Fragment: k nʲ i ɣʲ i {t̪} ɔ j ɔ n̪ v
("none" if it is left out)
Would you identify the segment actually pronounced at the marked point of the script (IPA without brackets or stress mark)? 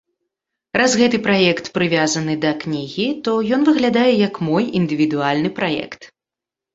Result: t̪